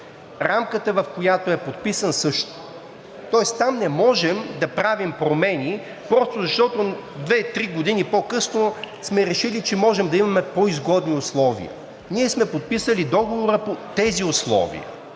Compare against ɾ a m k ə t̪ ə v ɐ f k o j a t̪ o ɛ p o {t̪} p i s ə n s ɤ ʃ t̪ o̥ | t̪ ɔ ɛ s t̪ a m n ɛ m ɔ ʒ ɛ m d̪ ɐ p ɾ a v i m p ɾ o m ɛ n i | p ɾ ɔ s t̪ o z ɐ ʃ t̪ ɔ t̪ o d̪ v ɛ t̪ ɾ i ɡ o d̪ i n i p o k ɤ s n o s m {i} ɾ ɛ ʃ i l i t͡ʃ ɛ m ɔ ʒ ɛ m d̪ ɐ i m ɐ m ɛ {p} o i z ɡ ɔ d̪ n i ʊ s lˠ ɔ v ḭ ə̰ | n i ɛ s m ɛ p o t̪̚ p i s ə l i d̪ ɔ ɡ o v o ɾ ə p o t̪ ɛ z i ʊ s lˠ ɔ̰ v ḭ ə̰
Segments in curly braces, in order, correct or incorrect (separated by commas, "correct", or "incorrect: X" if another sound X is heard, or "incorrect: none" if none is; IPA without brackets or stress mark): correct, incorrect: ɛ, correct